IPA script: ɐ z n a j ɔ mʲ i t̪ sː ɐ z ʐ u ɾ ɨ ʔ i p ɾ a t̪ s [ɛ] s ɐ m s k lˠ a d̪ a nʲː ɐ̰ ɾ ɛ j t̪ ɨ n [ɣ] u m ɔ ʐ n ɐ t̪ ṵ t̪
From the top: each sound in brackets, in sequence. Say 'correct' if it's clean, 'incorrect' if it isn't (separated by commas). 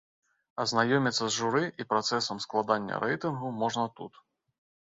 correct, correct